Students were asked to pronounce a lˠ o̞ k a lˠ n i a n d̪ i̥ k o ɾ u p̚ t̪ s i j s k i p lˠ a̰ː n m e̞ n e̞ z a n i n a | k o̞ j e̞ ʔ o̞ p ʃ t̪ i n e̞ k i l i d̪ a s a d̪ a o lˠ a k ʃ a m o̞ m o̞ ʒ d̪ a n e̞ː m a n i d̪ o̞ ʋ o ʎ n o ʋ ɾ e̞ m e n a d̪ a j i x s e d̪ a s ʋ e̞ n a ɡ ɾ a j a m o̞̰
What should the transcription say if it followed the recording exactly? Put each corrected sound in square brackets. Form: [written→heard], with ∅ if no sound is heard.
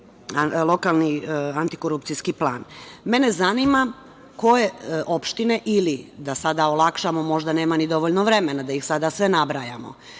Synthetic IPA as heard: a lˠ o̞ k a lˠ n i a n [d̪→t̪] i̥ k o ɾ u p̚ t̪ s i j s k i p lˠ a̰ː n m e̞ n e̞ z a n i [n→m] a | k o̞ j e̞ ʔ o̞ p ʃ t̪ i n e̞ [k→ʔ] i l i d̪ a s a d̪ a o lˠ a k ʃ a m o̞ m o̞ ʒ d̪ a n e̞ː m a n i d̪ o̞ ʋ o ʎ n o ʋ ɾ e̞ m e n a d̪ a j i x s [e→a] d̪ a s ʋ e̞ n a [ɡ→b] ɾ a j a m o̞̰